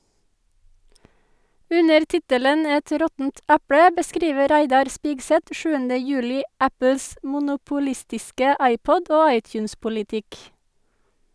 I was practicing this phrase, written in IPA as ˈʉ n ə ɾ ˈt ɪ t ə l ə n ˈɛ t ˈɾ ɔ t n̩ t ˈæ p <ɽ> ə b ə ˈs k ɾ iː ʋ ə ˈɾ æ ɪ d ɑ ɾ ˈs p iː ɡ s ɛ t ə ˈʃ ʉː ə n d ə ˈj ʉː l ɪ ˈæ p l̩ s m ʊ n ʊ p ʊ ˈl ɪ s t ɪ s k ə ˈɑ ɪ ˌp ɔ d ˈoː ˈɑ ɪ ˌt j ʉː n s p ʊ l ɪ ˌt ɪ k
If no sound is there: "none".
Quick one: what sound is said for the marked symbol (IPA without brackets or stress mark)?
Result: ɽ